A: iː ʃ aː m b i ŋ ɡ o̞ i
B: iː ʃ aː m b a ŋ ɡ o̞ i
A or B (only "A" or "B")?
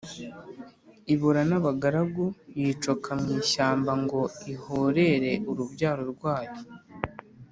B